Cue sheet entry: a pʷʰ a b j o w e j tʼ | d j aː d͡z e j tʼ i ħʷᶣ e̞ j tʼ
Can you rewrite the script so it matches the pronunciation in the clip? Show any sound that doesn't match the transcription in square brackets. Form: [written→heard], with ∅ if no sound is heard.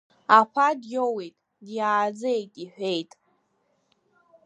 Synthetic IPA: a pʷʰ a [b→d] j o w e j tʼ | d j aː d͡z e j tʼ i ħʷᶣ e̞ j tʼ

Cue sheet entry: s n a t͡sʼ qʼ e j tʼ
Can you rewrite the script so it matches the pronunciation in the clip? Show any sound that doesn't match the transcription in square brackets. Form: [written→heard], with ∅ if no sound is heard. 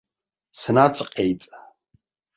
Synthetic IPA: s n a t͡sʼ qʼ e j tʼ

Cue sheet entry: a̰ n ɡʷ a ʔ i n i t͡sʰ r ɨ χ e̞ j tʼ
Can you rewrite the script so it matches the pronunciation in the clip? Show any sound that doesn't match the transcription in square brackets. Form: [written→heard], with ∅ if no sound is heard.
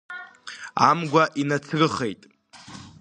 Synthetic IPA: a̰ [n→m] ɡʷ a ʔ i n [i→a] t͡sʰ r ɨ χ e̞ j tʼ

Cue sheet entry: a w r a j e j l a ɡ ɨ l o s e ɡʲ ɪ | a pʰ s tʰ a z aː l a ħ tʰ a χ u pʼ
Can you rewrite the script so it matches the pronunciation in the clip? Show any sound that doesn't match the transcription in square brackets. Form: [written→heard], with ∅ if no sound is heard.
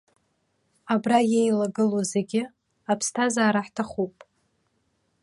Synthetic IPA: a [w→b] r a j e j l a ɡ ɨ l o [s→z] e ɡʲ ɪ | a pʰ s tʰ a z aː [l→ɾ] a ħ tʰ a χ u pʼ

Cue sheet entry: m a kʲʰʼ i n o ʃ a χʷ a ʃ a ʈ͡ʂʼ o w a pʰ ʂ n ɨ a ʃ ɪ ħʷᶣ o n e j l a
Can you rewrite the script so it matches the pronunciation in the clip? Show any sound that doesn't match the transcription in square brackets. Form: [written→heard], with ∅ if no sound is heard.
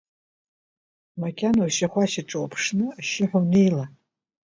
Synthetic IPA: m a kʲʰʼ [i→a] n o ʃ a χʷ a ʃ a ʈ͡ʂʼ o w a pʰ ʂ n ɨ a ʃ ɪ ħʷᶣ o n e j l a

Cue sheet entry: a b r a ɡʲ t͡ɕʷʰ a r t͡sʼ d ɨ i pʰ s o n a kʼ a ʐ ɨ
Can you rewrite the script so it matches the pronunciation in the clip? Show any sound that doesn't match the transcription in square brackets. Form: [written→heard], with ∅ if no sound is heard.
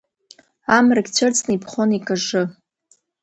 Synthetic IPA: a [b→m] r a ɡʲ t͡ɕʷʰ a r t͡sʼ [d→n] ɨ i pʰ [s→χ] o n [a→i] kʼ a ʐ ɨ

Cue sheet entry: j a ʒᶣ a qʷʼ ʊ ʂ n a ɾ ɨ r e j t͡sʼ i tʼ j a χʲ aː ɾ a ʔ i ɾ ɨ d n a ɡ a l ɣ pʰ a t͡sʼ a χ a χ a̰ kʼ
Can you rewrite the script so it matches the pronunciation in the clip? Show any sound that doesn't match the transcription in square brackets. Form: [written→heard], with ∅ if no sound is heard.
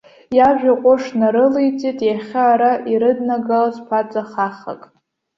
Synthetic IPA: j a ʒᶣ a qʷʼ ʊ ʂ n a ɾ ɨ [r→l] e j t͡sʼ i tʼ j a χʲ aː ɾ a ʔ i ɾ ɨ d n a ɡ a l [ɣ→z] pʰ a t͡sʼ a χ a χ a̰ kʼ

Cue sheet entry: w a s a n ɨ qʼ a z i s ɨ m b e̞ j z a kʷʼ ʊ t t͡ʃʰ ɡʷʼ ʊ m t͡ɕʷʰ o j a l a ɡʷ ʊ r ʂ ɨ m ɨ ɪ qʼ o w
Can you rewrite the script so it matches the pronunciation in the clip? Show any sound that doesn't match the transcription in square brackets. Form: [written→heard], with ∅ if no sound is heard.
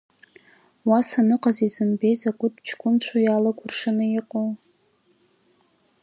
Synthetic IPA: w a s a n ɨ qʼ a z i [s→z] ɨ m b e̞ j z a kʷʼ ʊ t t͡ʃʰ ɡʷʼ ʊ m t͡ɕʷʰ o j a l a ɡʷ ʊ r ʂ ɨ [m→n] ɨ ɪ qʼ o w

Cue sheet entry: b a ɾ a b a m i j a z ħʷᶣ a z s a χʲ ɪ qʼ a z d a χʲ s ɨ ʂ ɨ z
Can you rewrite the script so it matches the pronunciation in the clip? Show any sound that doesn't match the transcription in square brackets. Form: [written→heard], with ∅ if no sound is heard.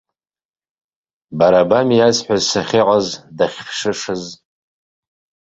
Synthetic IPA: b a ɾ a b a m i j a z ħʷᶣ a z s a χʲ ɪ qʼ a z d a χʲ [s→ʂ] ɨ ʂ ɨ z

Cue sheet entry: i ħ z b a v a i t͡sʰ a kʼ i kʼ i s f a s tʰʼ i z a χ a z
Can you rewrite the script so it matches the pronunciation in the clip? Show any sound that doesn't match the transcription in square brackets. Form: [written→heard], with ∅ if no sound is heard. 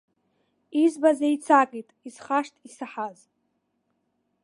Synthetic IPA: i [ħ→∅] z b a [v→z] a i t͡sʰ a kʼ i [kʼ→tʼ] i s [f→χ] a [s→ʂ] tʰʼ i [z→s] a [χ→ħ] a z

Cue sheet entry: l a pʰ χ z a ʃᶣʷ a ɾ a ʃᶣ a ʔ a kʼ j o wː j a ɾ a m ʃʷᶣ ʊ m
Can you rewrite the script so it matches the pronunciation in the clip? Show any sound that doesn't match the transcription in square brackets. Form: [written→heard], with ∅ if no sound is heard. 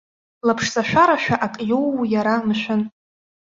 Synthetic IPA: l a pʰ [χ→ʂ] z a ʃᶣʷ a ɾ a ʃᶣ a ʔ a kʼ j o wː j a ɾ a m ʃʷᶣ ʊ [m→n]

